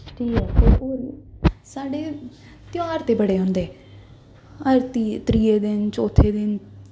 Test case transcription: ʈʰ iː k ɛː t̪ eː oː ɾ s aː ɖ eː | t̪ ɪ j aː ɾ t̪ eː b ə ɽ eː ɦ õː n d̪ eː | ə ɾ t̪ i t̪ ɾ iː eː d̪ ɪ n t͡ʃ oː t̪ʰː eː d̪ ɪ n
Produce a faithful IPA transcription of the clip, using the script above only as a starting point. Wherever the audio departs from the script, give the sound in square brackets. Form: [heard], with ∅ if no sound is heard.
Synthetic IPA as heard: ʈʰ iː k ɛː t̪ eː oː ɾ s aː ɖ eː | t̪ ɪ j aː ɾ t̪ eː b ə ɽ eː ɦ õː n d̪ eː | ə ɾ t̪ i t̪ ɾ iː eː d̪ ɪ n t͡ʃ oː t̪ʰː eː d̪ ɪ n

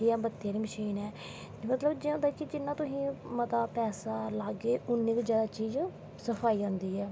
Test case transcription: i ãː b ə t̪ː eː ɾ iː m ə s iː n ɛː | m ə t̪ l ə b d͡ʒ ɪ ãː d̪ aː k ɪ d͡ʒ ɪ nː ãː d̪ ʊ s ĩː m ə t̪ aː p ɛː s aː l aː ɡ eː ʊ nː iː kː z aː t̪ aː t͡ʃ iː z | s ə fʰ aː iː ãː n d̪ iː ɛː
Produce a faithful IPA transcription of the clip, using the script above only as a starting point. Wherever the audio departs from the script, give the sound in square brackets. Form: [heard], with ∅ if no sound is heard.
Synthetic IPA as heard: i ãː b ə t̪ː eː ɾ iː m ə [ʃ] iː n ɛː | m ə t̪ l ə b d͡ʒ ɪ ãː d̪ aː k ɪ d͡ʒ ɪ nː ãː [t̪] ʊ s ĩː m ə t̪ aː p ɛː s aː l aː ɡ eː ʊ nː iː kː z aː [d̪] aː t͡ʃ iː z | s ə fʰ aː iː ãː n d̪ iː ɛː

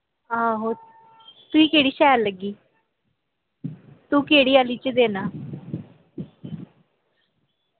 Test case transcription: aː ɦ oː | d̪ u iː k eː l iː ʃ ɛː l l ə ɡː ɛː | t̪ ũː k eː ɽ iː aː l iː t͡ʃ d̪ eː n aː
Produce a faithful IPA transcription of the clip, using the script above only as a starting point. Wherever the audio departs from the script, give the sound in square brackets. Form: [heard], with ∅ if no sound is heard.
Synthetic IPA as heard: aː ɦ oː | [t̪] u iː k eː [ɽ] iː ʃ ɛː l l ə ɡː [iː] | t̪ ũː k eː ɽ iː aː l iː t͡ʃ d̪ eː n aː

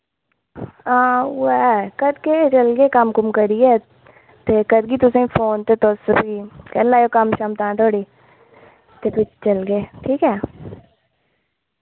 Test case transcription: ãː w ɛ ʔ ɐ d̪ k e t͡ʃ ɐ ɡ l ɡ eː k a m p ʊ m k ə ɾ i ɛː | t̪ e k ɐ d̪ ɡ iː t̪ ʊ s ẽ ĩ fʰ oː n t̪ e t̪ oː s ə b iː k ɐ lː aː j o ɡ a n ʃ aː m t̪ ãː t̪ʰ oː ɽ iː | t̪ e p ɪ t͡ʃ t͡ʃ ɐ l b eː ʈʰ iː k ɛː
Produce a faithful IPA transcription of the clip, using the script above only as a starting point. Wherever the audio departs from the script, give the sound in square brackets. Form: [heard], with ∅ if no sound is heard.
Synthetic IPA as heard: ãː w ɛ [k] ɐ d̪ k e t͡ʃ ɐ [∅] l ɡ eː k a m [k] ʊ m k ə ɾ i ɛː | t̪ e k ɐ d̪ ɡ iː t̪ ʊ s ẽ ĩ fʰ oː n t̪ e t̪ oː s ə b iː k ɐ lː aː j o [k] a [m] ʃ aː m t̪ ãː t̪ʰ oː ɽ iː | t̪ e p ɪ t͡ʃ t͡ʃ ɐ l [ɡ] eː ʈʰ iː k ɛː

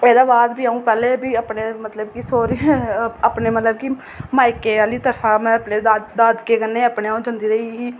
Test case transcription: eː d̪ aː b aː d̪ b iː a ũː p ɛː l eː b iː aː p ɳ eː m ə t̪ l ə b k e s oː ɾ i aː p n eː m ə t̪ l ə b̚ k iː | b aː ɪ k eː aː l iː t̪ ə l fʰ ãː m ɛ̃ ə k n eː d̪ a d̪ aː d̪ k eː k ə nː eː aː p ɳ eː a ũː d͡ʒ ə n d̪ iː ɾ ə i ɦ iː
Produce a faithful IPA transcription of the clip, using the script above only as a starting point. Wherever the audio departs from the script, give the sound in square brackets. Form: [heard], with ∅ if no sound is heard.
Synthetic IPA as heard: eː d̪ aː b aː d̪ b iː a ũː p ɛː l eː b iː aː p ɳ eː m ə t̪ l ə b k [i] s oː ɾ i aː p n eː m ə t̪ l ə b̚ k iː | [m] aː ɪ k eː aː l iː t̪ ə [ɾ] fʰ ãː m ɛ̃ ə [p] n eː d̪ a d̪ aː d̪ k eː k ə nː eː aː p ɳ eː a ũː d͡ʒ ə n d̪ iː ɾ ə i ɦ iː

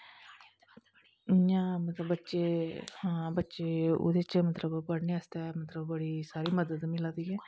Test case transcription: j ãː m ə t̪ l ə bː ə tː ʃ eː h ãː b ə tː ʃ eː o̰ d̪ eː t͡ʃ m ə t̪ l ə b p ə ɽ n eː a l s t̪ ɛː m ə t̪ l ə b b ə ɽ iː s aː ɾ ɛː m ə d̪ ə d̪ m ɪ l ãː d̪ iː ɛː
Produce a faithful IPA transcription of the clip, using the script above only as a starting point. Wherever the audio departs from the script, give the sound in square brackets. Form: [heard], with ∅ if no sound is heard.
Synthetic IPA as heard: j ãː m ə t̪ l ə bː ə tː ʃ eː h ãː b ə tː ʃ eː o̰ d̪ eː t͡ʃ m ə t̪ l ə b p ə ɽ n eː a [∅] s t̪ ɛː m ə t̪ l ə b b ə ɽ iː s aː ɾ [iː] m ə d̪ ə d̪ m ɪ l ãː d̪ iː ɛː

